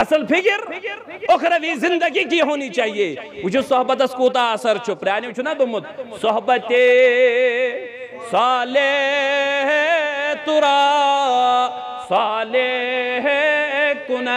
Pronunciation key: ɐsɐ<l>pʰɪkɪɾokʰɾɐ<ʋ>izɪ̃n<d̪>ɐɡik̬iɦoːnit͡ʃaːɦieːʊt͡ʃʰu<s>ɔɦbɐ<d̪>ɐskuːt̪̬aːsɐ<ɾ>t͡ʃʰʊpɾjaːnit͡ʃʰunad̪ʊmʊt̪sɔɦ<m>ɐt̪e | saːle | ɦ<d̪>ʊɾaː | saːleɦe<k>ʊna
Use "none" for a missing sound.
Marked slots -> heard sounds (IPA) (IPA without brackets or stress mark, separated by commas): l, ʋ, d̪, s, t̪, ɾ, b, t̪, k